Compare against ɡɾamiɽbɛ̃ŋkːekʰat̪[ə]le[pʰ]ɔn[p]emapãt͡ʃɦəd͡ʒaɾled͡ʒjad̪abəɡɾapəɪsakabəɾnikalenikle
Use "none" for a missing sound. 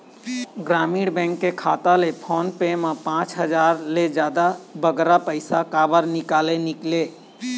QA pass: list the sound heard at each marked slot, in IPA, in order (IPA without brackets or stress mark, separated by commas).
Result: a, pʰ, p